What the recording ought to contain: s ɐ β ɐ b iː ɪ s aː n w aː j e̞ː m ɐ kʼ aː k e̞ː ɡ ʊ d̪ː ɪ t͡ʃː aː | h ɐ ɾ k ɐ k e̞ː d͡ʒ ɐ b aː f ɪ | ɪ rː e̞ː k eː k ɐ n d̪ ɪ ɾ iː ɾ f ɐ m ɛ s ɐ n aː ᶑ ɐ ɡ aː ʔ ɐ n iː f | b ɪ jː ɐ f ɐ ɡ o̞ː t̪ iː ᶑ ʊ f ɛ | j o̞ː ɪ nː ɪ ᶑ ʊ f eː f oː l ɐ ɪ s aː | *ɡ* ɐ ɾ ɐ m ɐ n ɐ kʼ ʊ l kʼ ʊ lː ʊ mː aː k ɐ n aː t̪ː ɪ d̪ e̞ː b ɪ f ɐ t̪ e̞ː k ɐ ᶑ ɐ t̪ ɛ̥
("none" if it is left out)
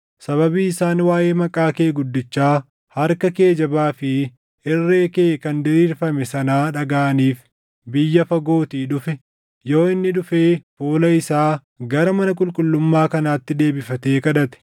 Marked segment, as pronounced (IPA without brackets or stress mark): ɡ